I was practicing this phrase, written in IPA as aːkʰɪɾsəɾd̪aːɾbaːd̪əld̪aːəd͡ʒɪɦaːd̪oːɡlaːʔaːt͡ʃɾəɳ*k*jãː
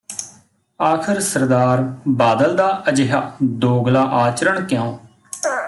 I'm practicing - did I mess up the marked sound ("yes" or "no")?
no